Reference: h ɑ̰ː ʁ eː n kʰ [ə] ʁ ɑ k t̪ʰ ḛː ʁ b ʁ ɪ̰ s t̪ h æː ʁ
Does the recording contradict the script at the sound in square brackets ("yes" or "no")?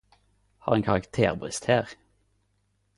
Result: yes